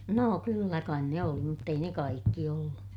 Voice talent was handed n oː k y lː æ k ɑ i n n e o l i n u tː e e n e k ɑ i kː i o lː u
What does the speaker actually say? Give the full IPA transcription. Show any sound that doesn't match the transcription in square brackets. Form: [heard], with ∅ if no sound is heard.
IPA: n oː k y lː æ k ɑ i n n e o l i [m] u tː e [i] n e k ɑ i kː i o lː u